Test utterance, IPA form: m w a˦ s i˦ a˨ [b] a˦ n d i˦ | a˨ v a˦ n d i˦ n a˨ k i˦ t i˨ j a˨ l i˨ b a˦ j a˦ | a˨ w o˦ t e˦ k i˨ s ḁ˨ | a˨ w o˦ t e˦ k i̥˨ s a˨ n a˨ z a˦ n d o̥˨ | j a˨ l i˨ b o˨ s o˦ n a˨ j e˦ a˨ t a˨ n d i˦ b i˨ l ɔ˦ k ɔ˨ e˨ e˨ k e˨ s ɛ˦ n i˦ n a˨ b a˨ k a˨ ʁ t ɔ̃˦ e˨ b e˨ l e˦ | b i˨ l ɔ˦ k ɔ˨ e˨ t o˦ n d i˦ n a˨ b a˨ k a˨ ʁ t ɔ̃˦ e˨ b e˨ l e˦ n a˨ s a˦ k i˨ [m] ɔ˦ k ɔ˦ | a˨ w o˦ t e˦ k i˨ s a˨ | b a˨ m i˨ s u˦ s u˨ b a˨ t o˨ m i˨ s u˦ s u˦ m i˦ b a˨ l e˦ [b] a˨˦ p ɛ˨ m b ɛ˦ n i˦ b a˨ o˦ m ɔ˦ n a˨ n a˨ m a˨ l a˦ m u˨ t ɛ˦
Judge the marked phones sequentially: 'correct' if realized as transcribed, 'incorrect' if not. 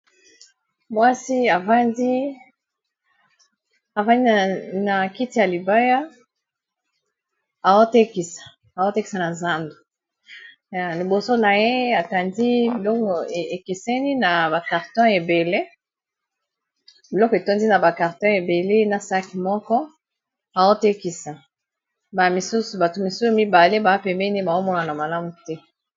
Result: incorrect, correct, correct

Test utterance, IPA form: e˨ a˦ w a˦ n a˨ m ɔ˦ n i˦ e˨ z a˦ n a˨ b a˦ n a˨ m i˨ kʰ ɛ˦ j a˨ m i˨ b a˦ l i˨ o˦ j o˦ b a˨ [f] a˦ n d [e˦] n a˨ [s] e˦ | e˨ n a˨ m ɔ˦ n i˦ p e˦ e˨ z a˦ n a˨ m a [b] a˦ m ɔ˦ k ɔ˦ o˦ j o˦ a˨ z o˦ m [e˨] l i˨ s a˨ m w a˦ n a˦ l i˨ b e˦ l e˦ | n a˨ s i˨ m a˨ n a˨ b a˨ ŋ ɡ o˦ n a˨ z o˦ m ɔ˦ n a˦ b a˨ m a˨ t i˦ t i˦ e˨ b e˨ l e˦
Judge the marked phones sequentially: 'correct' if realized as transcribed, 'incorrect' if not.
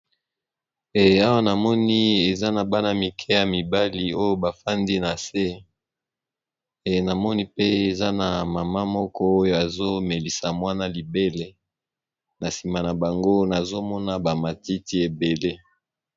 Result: correct, incorrect, correct, incorrect, correct

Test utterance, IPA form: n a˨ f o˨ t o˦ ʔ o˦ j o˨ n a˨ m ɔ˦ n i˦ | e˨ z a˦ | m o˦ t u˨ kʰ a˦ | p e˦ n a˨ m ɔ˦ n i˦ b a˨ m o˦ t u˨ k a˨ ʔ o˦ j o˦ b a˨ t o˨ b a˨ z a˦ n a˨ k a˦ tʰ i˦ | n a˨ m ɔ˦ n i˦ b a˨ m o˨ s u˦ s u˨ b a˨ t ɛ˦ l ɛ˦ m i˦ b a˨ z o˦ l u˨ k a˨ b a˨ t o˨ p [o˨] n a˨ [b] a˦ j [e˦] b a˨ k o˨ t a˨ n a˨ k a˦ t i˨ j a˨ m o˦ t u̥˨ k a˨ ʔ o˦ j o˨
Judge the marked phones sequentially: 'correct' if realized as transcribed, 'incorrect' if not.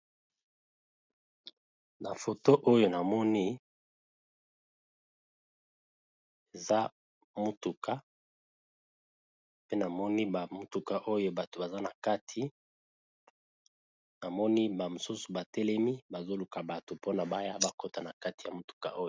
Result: incorrect, correct, incorrect

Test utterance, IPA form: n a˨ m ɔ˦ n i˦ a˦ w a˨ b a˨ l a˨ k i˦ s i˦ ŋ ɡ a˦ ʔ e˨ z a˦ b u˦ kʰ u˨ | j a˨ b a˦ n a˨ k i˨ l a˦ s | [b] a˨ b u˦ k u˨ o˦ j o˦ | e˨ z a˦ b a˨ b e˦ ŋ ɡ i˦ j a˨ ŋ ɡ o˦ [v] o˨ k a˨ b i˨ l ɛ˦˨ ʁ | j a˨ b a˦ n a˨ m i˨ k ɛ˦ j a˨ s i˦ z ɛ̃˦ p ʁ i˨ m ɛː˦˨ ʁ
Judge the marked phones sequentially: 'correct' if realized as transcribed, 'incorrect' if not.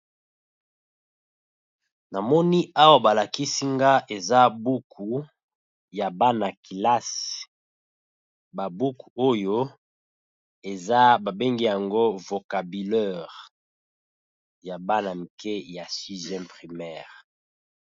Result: correct, correct

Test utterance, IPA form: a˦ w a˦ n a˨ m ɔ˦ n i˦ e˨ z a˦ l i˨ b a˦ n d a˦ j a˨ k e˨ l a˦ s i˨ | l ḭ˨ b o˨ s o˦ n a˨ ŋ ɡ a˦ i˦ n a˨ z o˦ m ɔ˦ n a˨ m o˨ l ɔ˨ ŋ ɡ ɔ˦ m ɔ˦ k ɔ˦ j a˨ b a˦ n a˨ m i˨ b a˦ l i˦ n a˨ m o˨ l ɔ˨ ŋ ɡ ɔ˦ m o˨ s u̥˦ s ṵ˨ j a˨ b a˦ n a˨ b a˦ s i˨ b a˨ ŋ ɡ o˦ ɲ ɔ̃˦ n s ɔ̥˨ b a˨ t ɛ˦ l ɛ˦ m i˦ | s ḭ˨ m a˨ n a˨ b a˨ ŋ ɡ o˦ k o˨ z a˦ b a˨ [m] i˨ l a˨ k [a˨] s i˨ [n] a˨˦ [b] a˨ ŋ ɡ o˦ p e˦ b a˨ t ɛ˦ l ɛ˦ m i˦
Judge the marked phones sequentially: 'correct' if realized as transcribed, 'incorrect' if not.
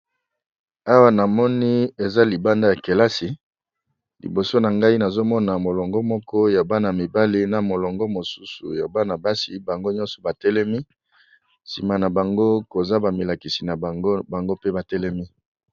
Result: correct, incorrect, correct, correct

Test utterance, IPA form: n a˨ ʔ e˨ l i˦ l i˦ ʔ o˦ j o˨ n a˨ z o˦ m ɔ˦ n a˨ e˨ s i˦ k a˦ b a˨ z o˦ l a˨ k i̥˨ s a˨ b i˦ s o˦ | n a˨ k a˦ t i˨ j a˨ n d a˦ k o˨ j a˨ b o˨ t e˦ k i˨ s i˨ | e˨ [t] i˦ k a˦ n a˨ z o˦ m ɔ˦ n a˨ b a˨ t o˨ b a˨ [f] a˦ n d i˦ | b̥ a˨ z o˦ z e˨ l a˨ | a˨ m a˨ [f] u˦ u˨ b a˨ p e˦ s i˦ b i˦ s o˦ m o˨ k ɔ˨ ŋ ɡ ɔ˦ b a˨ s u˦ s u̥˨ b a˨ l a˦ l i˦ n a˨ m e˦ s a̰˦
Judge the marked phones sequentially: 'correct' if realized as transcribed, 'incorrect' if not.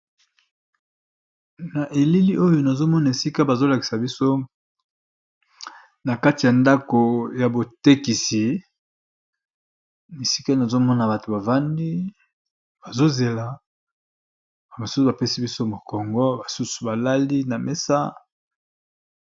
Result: incorrect, incorrect, incorrect

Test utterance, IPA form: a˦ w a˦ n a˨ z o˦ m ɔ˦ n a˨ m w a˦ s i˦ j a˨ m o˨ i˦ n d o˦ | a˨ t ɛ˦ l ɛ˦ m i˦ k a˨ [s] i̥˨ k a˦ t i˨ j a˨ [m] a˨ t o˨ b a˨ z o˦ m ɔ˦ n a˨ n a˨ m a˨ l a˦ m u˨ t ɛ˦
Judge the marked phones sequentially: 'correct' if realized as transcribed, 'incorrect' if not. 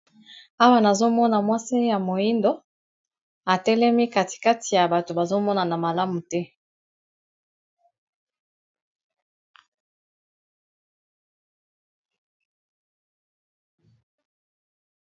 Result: incorrect, incorrect

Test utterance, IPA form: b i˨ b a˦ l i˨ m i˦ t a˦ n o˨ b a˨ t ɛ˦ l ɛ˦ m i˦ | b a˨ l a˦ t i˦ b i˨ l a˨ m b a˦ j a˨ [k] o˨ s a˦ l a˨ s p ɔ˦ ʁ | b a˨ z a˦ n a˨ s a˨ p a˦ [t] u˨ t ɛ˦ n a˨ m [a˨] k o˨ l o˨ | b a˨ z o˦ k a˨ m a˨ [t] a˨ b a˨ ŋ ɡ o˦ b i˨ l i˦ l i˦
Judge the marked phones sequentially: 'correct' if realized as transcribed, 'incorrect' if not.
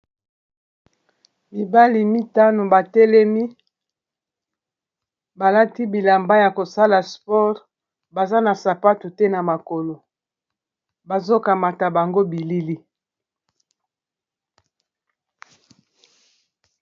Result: correct, correct, correct, correct

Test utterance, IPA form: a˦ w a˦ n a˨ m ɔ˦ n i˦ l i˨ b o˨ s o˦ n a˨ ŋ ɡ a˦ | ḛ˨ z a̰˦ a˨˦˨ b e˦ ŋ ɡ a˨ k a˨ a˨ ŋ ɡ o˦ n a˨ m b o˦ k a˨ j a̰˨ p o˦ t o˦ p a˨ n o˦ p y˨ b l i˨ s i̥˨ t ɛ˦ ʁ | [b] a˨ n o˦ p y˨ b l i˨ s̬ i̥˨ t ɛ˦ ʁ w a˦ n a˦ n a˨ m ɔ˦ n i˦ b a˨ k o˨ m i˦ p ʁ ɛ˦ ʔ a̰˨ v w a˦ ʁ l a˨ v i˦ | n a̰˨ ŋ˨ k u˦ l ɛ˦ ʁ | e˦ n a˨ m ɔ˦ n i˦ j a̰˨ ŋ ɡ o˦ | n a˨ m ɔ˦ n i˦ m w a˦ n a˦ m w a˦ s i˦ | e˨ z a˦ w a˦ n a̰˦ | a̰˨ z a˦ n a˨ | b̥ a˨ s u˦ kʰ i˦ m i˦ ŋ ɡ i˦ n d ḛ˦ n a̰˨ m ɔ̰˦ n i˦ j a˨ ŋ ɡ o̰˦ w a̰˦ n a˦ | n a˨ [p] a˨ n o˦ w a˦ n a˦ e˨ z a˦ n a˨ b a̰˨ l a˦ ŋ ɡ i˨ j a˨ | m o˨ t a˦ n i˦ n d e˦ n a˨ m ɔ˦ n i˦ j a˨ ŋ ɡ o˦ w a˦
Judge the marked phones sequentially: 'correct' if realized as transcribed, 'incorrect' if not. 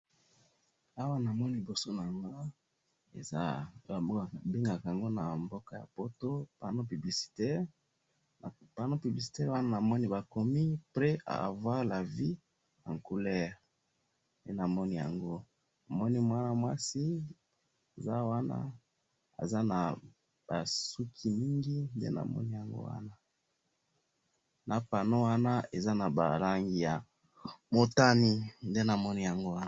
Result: incorrect, correct

